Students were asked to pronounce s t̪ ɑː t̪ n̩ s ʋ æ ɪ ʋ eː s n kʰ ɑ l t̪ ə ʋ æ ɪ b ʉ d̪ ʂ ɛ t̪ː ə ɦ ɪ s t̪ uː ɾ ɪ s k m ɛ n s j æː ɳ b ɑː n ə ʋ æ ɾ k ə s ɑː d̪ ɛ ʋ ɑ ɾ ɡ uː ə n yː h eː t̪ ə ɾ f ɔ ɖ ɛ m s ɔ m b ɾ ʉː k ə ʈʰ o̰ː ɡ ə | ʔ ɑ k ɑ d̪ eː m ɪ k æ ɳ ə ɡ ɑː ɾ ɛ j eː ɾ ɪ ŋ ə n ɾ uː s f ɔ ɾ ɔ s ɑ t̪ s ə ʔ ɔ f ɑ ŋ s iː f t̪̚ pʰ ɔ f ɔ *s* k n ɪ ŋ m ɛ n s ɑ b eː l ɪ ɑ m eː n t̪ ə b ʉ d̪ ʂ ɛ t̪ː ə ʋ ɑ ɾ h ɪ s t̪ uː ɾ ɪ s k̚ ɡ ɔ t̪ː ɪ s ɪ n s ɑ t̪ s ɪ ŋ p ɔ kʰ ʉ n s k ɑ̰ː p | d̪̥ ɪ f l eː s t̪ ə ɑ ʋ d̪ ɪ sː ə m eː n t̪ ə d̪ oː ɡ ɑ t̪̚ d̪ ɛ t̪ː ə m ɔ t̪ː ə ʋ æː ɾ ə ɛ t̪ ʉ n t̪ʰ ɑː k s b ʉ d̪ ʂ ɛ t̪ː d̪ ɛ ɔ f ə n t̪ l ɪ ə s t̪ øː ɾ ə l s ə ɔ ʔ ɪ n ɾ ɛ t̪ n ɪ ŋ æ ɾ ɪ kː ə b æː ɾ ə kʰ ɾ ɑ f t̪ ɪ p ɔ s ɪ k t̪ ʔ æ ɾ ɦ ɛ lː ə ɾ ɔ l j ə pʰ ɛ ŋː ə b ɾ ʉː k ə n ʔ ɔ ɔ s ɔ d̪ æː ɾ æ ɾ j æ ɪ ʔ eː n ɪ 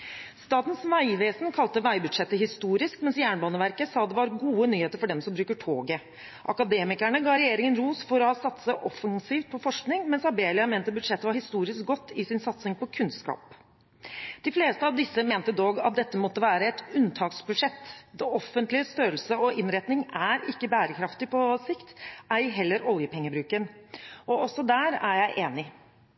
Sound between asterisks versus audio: incorrect: ʂ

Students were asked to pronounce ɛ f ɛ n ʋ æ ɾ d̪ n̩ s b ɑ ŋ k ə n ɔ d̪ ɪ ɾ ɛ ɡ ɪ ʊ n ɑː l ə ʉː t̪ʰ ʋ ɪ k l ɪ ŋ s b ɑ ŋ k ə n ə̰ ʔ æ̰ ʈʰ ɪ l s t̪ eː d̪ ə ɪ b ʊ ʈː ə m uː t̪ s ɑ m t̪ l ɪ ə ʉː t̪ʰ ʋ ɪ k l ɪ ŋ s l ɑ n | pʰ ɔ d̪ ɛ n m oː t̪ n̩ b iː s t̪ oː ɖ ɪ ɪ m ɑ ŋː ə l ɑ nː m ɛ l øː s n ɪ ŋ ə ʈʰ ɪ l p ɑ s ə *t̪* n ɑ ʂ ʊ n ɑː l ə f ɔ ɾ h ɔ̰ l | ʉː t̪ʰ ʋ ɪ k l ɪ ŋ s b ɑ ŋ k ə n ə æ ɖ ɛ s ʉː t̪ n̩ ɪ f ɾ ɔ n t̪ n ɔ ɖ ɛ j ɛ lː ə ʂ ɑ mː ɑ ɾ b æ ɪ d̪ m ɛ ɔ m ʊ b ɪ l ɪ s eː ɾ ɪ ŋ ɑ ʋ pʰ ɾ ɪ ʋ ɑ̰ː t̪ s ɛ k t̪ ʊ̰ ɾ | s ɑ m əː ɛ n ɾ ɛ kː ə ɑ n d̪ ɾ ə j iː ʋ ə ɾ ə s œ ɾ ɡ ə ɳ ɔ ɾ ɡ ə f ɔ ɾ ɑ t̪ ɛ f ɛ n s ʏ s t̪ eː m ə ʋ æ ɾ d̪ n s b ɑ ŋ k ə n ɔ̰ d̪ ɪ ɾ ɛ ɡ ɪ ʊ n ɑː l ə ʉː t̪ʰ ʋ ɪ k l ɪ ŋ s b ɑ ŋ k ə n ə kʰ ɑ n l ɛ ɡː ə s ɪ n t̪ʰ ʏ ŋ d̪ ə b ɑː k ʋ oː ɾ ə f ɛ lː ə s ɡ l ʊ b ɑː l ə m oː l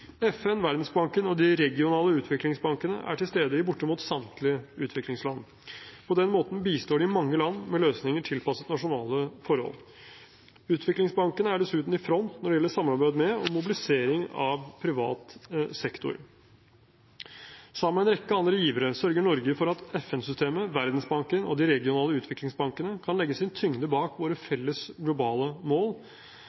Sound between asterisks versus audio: correct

